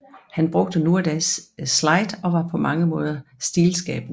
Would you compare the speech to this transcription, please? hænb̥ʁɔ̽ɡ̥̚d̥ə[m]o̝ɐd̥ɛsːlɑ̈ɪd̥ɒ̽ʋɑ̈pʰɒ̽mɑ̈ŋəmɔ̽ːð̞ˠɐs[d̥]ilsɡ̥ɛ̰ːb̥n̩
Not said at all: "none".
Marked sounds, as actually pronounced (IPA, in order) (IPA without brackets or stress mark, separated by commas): n, d̥